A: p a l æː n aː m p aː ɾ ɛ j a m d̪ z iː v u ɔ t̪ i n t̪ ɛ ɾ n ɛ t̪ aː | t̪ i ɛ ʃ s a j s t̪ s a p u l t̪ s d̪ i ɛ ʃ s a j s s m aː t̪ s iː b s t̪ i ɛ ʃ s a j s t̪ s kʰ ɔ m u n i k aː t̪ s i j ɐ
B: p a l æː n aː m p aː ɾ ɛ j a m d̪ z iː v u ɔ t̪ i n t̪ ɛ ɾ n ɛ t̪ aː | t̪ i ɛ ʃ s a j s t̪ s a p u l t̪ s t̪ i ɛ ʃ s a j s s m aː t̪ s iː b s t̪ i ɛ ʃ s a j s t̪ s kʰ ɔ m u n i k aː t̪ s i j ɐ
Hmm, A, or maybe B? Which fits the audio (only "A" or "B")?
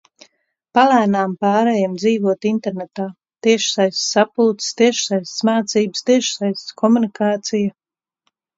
B